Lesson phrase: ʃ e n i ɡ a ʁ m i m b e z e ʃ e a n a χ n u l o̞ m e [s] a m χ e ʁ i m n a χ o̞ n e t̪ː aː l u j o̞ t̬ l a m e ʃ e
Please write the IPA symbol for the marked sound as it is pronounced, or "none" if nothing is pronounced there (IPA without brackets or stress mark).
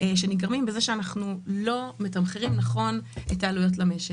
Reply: t